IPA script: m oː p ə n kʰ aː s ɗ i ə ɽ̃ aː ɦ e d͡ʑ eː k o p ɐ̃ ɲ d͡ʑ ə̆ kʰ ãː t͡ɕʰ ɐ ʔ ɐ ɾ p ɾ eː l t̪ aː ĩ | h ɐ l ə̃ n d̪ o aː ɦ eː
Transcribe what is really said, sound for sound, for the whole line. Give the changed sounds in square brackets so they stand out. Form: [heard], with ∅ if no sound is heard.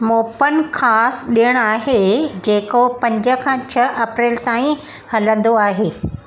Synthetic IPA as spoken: m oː p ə n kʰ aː s ɗ i ə ɽ̃ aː ɦ e d͡ʑ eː k o p ɐ̃ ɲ d͡ʑ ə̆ kʰ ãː t͡ɕʰ ɐ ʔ ɐ [∅] p ɾ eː l t̪ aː ĩ | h ɐ l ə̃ n d̪ o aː ɦ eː